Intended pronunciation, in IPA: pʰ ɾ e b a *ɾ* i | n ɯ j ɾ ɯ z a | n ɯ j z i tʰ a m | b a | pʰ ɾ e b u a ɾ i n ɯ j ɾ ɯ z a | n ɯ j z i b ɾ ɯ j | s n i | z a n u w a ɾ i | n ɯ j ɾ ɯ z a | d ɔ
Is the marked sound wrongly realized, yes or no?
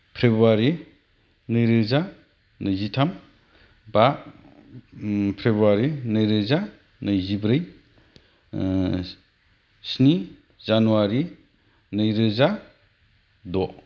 no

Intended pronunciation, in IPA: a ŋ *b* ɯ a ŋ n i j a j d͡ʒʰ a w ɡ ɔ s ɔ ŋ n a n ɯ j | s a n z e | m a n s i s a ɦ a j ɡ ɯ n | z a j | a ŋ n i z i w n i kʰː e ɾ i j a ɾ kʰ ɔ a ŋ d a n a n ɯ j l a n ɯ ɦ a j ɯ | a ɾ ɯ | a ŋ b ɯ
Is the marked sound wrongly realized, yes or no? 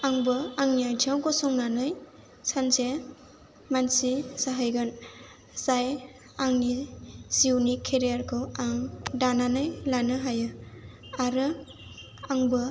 no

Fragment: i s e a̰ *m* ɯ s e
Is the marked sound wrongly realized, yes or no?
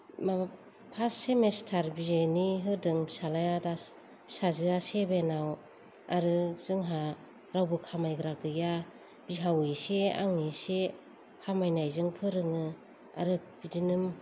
yes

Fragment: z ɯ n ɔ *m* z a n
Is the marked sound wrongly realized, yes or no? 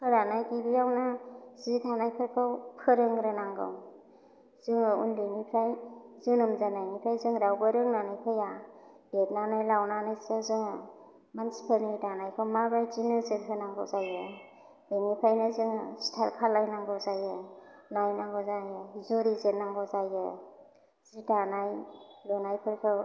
no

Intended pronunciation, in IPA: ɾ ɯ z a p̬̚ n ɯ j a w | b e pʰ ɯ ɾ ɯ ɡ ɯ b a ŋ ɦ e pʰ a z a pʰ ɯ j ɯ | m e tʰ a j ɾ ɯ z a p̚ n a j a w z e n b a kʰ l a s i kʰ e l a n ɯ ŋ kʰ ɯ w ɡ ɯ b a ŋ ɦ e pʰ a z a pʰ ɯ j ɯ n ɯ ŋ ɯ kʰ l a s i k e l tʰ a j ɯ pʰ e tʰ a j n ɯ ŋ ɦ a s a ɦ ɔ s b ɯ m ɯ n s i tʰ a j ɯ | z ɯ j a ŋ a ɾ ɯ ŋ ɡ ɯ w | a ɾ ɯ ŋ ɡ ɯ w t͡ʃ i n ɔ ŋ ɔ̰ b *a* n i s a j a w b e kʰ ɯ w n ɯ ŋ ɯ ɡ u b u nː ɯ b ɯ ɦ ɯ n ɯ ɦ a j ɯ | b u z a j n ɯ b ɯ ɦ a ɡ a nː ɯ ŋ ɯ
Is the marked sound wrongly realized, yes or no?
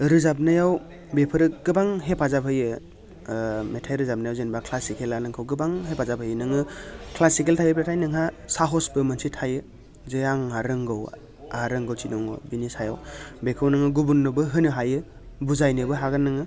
yes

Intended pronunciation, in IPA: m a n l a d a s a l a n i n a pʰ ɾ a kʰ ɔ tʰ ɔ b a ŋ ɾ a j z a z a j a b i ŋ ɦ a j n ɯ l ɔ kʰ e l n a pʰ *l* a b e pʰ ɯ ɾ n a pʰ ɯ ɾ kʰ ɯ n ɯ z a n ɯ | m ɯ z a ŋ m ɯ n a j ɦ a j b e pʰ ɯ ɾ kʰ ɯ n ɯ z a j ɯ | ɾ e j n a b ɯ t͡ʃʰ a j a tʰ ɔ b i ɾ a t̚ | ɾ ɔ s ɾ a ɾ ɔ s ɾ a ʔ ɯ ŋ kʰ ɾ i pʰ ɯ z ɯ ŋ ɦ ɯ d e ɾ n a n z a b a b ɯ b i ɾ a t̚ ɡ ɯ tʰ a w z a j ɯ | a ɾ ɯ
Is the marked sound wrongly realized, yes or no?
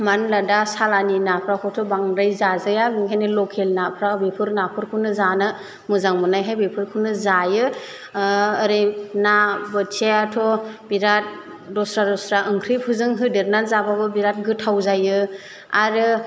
yes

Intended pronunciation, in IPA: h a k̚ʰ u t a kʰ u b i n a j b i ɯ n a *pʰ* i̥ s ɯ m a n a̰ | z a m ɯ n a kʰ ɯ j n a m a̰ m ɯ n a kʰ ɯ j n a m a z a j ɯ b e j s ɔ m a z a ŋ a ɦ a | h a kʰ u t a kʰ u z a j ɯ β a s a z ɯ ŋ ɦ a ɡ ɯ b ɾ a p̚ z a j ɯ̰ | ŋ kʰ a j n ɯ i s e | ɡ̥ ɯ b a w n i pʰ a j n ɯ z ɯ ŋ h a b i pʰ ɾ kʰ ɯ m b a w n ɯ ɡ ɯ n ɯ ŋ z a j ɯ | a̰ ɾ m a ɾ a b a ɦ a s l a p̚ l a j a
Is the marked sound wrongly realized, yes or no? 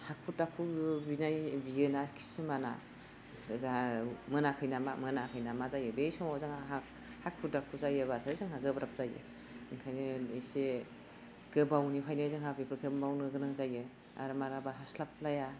yes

